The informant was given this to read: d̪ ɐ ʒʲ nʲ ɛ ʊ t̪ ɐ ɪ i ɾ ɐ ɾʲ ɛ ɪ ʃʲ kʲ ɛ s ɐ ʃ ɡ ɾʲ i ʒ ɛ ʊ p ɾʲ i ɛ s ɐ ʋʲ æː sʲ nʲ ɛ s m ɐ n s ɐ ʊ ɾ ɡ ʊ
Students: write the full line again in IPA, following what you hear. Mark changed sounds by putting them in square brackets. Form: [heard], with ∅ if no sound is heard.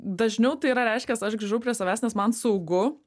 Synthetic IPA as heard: d̪ ɐ ʒʲ nʲ ɛ ʊ t̪ ɐ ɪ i ɾ ɐ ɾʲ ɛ ɪ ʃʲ kʲ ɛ s ɐ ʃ ɡ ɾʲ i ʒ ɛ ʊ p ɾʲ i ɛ s ɐ ʋʲ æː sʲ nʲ ɛ s m ɐ n s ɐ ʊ [∅] ɡ ʊ